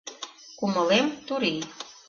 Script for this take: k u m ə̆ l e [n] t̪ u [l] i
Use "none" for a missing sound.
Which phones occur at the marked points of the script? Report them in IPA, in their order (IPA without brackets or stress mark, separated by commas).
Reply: m, ɾ